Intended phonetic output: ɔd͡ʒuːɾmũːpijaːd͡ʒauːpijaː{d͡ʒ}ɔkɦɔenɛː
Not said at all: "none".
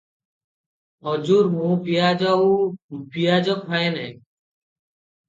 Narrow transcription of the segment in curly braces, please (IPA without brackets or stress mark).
d͡ʒ